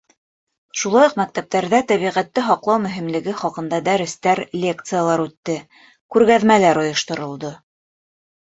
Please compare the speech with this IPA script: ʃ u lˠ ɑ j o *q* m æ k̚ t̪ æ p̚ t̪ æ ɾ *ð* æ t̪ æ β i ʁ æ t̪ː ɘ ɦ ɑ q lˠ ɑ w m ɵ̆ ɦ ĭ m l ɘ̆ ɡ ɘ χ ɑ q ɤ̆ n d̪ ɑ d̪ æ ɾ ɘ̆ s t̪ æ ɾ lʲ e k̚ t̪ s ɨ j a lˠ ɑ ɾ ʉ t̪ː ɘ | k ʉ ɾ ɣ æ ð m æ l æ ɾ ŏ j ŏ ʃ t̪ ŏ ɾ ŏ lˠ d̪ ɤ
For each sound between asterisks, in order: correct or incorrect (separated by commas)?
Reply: correct, correct